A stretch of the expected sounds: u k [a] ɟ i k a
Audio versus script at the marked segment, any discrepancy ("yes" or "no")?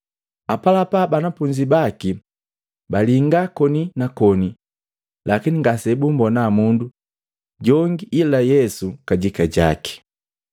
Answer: no